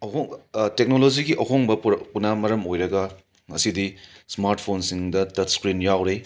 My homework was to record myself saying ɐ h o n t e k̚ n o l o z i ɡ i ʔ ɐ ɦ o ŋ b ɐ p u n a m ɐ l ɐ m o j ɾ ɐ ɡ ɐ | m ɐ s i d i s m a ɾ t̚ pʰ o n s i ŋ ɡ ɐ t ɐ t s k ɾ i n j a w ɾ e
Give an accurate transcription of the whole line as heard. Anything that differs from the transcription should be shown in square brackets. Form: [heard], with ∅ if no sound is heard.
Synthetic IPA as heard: ɐ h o [ŋ] t e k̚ n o l o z i ɡ i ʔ ɐ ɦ o ŋ b ɐ p u n a m ɐ [ɾ] ɐ m o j ɾ ɐ ɡ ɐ | [ŋ] ɐ s i d i s m a ɾ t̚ pʰ o n s i ŋ [d] ɐ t ɐ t s k ɾ i n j a w ɾ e